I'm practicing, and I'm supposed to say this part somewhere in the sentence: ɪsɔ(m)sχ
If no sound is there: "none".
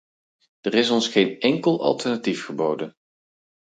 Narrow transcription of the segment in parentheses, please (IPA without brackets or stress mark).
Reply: n